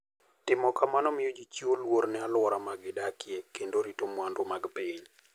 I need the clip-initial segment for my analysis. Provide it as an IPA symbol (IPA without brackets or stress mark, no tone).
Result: t